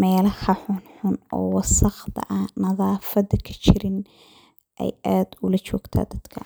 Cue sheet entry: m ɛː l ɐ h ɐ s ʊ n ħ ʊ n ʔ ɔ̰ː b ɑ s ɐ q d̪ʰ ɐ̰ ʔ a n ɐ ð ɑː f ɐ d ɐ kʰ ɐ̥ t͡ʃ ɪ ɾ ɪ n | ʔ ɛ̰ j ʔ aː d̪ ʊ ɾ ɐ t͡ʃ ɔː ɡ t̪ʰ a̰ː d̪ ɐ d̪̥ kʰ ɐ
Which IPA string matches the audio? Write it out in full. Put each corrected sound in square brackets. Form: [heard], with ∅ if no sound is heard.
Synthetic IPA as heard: m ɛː l ɐ h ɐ [ħ] ʊ n ħ ʊ n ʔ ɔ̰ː [w] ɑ s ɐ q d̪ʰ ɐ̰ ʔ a n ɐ ð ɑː f ɐ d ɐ kʰ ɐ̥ t͡ʃ ɪ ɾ ɪ n | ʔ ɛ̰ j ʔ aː d̪ ʊ [l] ɐ t͡ʃ ɔː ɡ t̪ʰ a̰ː d̪ ɐ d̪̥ kʰ ɐ